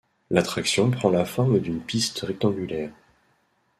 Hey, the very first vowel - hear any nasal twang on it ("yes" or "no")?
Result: no